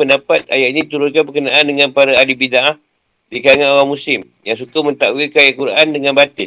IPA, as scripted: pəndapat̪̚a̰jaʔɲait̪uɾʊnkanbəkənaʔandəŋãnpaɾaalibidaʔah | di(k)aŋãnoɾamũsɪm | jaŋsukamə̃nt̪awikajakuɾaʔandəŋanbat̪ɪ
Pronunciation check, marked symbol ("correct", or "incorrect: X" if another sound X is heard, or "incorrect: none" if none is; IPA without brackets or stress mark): correct